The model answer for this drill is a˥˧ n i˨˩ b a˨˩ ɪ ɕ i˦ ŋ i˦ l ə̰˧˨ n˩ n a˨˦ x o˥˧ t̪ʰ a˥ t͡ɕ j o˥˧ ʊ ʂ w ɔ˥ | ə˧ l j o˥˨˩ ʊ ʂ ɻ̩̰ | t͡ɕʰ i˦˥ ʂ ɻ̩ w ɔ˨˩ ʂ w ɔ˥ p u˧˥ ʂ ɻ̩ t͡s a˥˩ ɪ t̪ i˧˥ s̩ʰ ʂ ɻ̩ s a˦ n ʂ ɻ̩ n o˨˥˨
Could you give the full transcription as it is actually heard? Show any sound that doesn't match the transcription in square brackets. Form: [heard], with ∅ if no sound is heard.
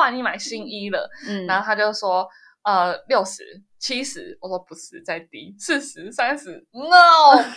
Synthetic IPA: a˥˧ n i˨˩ [m] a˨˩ ɪ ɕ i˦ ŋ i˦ l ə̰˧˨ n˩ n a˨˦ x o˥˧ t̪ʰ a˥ t͡ɕ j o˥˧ ʊ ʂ w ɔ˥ | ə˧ l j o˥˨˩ ʊ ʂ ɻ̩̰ | t͡ɕʰ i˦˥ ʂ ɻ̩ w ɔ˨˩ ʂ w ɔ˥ p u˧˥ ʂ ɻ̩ t͡s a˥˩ ɪ t̪ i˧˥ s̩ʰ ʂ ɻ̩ s a˦ n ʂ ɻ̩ n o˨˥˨